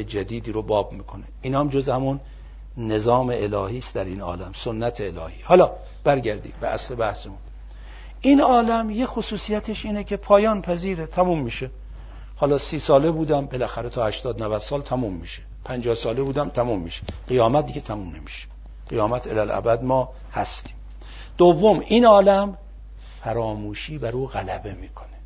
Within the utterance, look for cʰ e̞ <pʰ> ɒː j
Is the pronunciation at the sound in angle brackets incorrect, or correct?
correct